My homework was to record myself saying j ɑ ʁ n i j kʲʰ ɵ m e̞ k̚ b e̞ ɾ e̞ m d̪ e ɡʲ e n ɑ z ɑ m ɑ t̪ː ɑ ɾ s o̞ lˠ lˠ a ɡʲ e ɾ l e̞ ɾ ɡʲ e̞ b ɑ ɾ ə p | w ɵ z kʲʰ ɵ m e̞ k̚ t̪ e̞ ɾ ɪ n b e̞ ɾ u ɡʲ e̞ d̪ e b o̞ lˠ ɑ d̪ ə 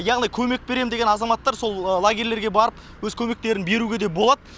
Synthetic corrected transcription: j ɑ ʁ n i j kʲʰ ɵ m e̞ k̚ b e̞ ɾ e̞ m d̪ e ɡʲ e n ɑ z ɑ m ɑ t̪ː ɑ ɾ s o̞ lˠ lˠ a ɡʲ e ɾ l e̞ ɾ ɡʲ e̞ b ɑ ɾ ə p | w ɵ z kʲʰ ɵ m e̞ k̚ t̪ e̞ ɾ ɪ n b e̞ ɾ u ɡʲ e̞ d̪ e b o̞ lˠ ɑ d̪ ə